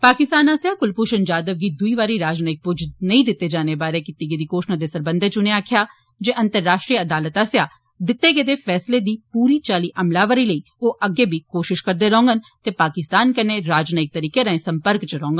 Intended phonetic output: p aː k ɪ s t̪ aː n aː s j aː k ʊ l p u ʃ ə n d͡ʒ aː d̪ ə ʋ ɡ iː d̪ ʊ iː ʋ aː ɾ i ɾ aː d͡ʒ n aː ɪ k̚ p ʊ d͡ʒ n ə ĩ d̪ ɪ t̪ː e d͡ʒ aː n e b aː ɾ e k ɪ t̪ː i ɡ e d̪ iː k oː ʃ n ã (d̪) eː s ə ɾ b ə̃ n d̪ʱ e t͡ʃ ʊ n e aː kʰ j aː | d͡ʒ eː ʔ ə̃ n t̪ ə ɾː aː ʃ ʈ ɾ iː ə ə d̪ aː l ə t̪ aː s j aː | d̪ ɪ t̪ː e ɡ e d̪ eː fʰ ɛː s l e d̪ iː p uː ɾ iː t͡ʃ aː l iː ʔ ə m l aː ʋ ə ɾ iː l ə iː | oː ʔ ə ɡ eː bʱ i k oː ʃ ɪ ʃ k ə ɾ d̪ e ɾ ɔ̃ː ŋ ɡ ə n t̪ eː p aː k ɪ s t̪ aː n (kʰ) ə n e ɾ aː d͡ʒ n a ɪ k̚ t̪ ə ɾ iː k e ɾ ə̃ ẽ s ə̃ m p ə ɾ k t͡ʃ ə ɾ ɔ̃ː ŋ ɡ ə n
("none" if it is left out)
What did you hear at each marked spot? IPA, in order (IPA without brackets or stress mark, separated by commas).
d̪, k